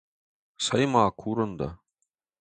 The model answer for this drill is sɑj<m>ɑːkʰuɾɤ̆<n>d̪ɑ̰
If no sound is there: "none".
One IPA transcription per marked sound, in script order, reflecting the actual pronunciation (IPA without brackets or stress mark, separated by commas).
m, n